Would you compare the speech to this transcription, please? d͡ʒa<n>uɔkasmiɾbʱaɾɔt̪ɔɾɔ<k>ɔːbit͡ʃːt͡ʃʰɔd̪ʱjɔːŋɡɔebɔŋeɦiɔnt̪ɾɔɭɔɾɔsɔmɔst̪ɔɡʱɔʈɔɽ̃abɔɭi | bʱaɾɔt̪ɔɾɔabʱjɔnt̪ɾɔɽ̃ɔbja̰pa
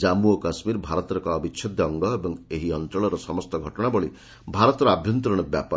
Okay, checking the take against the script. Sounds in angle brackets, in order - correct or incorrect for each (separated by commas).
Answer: incorrect, correct